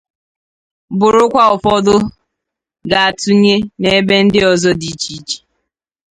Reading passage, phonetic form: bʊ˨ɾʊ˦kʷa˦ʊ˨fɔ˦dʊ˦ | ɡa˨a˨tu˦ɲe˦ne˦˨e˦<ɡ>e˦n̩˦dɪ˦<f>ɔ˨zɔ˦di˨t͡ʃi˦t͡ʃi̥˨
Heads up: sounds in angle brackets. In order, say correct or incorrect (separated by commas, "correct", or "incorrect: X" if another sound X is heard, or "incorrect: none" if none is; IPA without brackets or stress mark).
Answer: incorrect: b, incorrect: none